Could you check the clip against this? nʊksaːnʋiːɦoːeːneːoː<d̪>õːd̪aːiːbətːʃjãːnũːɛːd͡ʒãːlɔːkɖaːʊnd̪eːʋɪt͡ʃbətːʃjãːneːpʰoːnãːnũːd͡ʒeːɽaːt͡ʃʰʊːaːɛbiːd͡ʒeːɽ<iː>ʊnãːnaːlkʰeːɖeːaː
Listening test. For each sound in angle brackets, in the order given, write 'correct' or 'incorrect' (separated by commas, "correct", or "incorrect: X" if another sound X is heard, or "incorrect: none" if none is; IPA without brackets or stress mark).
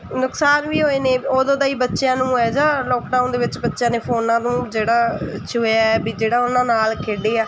correct, incorrect: aː